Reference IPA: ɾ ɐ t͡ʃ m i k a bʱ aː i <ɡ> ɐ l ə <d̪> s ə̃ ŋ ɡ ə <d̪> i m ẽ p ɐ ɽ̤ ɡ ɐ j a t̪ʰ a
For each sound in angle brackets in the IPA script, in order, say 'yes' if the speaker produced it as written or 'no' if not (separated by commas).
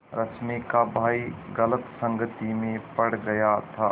yes, no, no